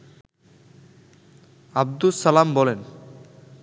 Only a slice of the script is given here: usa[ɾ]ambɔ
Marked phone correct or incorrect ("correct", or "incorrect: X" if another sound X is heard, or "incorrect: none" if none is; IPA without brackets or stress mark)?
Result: incorrect: l